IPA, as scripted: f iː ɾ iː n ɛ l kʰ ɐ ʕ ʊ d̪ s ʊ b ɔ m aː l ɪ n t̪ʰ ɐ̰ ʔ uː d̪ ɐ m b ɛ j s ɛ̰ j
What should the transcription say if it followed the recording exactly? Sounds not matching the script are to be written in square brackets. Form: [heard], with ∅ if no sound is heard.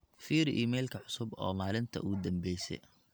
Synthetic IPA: f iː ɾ iː [m] ɛ l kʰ ɐ ʕ ʊ [∅] s ʊ b [ɔː] m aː l ɪ n t̪ʰ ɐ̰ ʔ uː d̪ ɐ m b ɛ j s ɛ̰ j